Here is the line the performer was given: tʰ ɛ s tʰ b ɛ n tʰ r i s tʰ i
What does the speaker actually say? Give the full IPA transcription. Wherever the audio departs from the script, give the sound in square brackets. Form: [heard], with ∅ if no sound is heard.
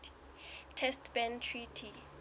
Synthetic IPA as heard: tʰ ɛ s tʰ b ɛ n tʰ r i [∅] tʰ i